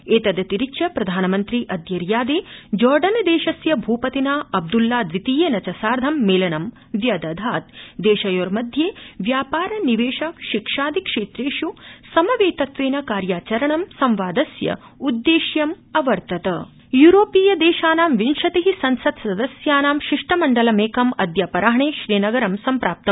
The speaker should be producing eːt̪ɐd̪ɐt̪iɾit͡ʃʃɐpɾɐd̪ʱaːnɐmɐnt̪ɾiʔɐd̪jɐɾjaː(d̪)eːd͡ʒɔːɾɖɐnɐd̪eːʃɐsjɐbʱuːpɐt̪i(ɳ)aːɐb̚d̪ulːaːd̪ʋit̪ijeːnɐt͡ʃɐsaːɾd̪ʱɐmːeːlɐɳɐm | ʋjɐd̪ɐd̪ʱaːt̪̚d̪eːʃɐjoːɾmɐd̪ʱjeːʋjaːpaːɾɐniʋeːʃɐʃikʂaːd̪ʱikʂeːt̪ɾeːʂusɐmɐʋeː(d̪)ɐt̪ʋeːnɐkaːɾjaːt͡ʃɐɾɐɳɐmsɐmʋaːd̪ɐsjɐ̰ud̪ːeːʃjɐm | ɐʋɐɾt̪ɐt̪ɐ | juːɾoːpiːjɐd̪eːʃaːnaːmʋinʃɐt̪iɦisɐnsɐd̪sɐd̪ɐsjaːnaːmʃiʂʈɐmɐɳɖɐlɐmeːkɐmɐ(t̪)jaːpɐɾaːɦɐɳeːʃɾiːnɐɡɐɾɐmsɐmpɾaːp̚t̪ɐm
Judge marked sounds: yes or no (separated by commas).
yes, no, no, no